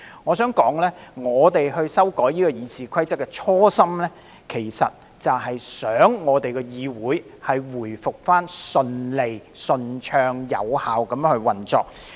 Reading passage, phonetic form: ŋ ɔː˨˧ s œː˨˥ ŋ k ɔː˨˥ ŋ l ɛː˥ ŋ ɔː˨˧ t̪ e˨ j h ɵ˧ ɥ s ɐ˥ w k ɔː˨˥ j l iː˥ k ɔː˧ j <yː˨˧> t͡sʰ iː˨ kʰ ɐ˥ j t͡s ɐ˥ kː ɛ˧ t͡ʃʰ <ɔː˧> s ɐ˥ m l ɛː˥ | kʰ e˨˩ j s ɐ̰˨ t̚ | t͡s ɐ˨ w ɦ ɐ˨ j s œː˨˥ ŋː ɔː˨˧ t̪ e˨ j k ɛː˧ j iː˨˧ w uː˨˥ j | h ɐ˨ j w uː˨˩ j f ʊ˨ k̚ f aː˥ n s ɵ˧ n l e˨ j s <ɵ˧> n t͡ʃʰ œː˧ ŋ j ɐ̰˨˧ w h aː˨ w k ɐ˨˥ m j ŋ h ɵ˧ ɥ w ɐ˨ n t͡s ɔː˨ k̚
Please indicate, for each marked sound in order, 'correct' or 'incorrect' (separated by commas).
incorrect, incorrect, correct